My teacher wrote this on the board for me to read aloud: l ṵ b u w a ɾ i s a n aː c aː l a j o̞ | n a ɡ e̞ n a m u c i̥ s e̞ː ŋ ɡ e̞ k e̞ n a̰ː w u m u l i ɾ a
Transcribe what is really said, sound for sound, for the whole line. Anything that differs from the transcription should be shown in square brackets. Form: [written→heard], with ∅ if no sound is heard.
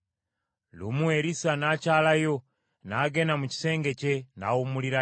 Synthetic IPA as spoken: l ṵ [b→m] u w [a→e] ɾ i s a n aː c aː l a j o̞ | n a ɡ e̞ n a m u c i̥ s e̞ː ŋ ɡ e̞ [k→c] e̞ n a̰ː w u m u l i ɾ a